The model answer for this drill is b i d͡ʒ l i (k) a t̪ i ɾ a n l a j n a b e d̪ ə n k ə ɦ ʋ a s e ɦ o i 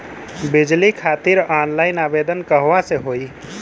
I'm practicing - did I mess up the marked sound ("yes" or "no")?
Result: yes